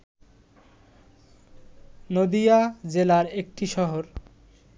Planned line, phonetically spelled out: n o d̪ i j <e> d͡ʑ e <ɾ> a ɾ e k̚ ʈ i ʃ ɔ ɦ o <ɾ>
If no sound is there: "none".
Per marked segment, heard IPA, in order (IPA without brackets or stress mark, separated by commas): a, l, ɾ